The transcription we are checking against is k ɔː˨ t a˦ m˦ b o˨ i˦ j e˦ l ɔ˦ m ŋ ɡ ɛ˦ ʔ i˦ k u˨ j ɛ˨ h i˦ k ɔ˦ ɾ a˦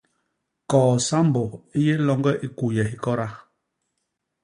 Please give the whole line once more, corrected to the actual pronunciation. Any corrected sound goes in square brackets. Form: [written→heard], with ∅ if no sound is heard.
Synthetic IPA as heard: k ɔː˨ [t→s] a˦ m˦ b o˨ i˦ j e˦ l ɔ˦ [m→∅] ŋ ɡ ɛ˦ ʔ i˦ k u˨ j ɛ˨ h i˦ k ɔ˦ ɾ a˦